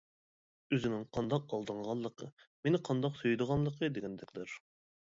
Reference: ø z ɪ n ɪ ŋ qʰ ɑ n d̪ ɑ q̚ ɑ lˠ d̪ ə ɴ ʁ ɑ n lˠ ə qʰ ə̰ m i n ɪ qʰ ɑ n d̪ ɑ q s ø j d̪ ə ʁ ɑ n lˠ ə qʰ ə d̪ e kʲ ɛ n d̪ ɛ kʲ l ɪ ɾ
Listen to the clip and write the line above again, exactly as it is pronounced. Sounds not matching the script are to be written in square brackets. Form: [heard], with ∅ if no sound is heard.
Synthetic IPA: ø z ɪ n ɪ ŋ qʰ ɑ n d̪ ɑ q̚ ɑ lˠ d̪ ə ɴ ʁ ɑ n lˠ ə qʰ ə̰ m [e] n ɪ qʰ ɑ n d̪ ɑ q s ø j d̪ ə ʁ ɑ n lˠ ə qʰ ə d̪ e [ɡʲ] ɛ n d̪ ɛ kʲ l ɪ ɾ